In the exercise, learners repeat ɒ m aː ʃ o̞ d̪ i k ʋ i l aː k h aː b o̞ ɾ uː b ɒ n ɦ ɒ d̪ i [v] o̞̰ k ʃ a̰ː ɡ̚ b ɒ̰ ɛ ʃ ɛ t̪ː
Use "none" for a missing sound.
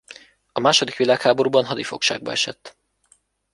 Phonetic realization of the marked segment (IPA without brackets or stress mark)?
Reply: f